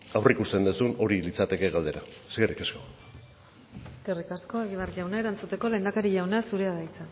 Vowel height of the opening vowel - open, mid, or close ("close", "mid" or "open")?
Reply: open